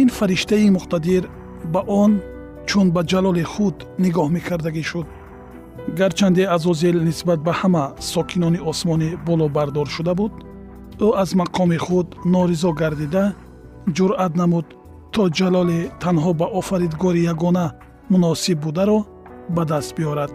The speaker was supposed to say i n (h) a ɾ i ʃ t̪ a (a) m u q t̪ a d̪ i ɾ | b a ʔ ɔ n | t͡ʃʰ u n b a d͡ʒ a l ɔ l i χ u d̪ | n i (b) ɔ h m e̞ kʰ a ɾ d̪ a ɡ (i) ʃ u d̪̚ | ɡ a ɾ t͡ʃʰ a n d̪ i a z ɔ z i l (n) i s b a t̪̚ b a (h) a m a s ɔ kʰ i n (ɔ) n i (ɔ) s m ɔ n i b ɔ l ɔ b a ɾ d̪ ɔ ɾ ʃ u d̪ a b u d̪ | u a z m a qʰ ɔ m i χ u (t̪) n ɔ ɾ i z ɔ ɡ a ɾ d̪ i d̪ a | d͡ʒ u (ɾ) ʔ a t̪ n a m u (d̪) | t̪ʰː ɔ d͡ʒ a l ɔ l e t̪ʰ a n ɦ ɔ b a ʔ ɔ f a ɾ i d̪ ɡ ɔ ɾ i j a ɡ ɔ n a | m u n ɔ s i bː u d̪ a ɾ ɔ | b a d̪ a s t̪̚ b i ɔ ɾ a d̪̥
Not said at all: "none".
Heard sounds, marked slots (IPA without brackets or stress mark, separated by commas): f, i, ɡ, i, n, h, ɔ, ɔ, d̪, ɾ, d̪